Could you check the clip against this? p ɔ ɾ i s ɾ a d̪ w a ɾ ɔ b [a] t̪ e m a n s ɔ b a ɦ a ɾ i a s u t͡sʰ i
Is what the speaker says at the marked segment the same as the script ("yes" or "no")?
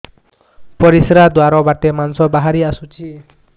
yes